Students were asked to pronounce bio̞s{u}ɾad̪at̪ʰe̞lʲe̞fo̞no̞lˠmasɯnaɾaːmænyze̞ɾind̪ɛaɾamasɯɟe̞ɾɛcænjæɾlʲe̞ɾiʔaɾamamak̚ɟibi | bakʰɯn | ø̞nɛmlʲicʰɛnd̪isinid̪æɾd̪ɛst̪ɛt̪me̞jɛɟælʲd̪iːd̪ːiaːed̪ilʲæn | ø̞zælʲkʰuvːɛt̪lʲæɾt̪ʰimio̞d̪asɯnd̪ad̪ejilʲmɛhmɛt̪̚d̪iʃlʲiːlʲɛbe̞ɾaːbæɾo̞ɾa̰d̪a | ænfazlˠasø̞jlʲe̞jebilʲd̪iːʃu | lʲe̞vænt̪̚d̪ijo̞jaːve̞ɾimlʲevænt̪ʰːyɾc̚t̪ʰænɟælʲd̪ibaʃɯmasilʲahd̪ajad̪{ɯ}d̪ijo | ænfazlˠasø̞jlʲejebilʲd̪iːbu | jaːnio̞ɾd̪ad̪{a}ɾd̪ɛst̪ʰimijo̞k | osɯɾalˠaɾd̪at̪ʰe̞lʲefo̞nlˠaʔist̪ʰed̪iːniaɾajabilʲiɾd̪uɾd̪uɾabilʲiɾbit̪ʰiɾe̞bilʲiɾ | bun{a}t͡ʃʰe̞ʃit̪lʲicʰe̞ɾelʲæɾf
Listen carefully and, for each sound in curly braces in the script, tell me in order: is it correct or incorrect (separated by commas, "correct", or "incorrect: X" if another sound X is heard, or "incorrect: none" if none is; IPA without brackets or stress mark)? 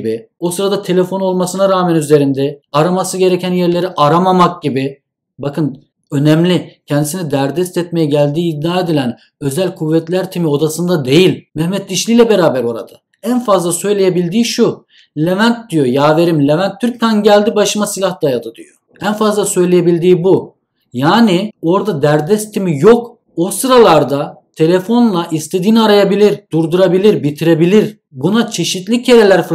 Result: incorrect: ɯ, correct, incorrect: æ, correct